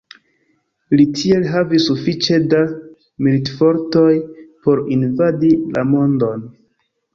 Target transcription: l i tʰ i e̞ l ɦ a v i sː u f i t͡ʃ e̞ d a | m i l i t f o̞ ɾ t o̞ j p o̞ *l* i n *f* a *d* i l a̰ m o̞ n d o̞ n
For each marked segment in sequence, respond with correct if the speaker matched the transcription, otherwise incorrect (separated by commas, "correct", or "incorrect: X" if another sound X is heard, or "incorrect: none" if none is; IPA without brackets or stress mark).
incorrect: ɾ, incorrect: v, correct